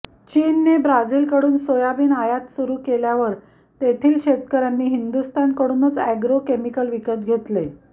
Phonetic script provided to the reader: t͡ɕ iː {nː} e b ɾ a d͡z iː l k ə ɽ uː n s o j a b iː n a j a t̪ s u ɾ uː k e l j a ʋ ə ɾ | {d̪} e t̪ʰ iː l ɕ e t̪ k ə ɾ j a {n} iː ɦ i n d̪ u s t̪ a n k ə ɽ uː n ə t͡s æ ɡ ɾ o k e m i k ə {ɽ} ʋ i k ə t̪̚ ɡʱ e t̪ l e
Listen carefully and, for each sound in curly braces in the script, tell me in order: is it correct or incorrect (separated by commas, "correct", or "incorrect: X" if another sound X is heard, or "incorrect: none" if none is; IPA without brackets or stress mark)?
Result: correct, incorrect: t̪, incorrect: nː, incorrect: l